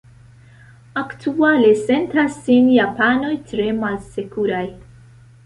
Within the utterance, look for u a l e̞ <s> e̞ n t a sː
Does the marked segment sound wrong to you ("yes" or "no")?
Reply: no